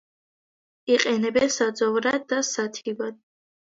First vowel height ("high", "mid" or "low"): high